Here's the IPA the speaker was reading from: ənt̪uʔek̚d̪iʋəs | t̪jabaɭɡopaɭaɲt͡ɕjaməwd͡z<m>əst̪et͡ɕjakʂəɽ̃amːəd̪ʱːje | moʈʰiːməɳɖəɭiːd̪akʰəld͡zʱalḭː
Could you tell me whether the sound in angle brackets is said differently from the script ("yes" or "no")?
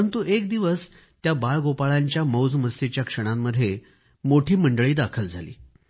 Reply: no